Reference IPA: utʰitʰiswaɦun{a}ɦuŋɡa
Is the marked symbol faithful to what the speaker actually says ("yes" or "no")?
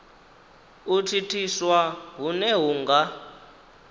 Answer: no